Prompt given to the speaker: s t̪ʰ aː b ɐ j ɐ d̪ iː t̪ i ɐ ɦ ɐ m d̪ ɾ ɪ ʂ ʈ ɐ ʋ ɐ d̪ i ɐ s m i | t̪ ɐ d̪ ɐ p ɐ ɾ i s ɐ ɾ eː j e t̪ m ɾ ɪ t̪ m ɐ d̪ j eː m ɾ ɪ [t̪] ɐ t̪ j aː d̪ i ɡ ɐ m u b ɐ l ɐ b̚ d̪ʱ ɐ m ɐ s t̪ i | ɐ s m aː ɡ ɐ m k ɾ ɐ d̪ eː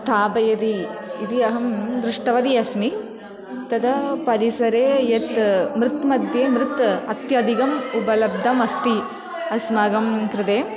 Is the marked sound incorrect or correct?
correct